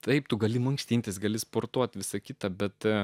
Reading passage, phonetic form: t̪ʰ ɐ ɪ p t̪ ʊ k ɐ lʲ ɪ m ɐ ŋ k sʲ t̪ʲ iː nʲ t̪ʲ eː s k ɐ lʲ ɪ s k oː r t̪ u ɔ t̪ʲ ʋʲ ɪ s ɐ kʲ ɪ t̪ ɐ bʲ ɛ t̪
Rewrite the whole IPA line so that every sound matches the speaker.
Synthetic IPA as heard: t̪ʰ ɐ ɪ p t̪ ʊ ɡ ɐ lʲ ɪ m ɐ ŋ k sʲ t̪ʲ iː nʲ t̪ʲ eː s ɡ ɐ lʲ ɪ s p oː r t̪ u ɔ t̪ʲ ʋʲ ɪ s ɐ kʲ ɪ t̪ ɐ bʲ ɛ t̪